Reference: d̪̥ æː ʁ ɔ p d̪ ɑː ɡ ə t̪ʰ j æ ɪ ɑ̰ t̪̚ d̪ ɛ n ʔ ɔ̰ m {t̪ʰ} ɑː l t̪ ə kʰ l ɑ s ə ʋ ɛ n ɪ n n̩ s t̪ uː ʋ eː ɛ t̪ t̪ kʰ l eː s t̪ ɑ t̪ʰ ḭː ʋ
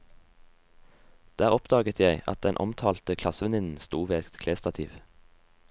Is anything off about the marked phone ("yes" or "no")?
no